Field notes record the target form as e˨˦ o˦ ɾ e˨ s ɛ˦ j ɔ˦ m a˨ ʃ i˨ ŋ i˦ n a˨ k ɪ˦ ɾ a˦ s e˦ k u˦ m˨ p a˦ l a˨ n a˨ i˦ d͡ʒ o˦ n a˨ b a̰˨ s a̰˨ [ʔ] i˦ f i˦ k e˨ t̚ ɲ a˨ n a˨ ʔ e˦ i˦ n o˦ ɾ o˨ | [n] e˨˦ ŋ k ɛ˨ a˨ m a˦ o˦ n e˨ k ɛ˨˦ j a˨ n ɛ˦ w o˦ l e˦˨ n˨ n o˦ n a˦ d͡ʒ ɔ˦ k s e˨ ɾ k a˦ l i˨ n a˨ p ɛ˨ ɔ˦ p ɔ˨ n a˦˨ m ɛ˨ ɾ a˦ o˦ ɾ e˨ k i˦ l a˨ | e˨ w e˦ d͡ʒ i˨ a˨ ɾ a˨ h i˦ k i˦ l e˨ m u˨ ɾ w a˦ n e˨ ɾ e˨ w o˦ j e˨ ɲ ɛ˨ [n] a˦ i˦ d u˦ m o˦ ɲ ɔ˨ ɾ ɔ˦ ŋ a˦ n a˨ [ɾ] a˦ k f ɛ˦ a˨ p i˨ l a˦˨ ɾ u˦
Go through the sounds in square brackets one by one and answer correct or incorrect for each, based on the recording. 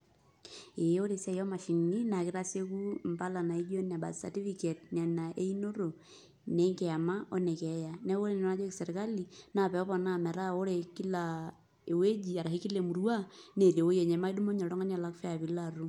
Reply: incorrect: t, correct, incorrect: m, incorrect: l

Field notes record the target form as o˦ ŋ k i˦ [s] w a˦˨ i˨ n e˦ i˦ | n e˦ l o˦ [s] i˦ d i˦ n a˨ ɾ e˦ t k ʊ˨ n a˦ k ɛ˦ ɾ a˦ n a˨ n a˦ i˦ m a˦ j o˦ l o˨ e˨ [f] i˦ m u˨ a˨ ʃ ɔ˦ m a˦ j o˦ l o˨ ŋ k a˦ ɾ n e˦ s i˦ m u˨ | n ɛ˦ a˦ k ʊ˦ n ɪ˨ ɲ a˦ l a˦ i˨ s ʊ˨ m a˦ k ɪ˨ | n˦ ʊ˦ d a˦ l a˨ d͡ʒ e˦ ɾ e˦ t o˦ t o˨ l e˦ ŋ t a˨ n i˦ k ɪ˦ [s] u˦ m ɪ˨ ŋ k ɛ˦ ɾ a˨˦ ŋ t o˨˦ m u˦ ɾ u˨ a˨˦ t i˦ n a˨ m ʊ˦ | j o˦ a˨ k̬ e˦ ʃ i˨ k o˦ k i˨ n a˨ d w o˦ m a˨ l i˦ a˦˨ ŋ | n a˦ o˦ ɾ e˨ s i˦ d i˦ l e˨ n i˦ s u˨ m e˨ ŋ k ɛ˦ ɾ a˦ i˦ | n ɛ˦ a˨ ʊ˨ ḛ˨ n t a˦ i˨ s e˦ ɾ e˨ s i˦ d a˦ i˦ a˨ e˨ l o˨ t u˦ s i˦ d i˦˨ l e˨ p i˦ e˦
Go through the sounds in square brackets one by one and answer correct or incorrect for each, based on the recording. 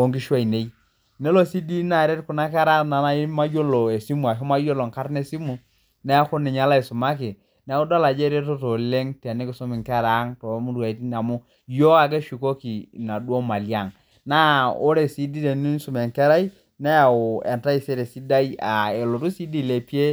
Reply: incorrect: ʃ, correct, incorrect: s, correct

